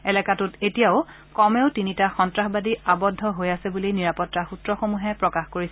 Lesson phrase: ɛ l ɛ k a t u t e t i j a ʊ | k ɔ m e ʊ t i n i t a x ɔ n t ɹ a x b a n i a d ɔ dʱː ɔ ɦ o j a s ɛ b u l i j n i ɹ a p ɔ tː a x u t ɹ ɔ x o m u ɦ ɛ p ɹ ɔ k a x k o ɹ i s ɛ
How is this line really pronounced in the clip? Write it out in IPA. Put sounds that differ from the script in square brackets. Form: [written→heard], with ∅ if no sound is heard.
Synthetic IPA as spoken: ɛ l ɛ k a t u t e t i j a ʊ | k ɔ m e ʊ t i n i t a x ɔ n t ɹ a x b a [n→d] i a [d→b] ɔ dʱː ɔ ɦ o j a s ɛ b u l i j n i ɹ a p ɔ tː a x u t ɹ ɔ x o m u ɦ ɛ p ɹ ɔ k a x k o ɹ i s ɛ